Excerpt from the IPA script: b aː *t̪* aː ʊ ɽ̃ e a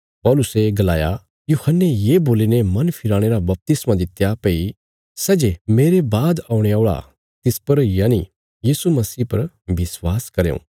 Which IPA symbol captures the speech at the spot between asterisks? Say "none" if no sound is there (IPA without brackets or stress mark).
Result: d̪